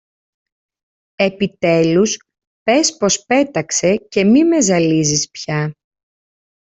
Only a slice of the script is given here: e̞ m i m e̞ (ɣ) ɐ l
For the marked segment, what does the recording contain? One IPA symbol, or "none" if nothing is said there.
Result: z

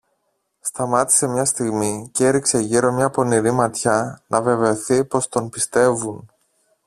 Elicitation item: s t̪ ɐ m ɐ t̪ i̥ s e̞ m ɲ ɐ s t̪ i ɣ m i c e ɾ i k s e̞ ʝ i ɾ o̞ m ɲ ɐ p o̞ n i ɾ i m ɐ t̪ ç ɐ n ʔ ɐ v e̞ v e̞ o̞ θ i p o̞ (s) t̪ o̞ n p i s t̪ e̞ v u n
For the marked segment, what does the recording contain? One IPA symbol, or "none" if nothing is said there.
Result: s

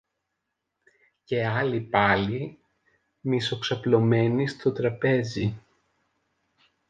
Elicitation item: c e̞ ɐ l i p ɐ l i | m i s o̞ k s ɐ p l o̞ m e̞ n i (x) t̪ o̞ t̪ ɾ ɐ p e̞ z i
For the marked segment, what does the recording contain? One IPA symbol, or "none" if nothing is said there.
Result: s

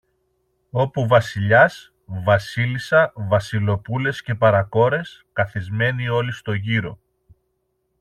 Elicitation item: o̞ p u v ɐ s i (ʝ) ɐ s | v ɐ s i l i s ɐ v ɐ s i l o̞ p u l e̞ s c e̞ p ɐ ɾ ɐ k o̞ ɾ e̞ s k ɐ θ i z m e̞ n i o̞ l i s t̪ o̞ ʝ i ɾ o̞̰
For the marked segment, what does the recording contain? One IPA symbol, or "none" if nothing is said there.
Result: ʎ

